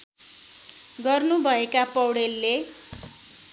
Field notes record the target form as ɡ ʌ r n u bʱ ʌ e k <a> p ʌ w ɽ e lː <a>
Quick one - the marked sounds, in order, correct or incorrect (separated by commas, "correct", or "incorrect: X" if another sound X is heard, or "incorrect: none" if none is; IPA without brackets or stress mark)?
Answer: correct, incorrect: e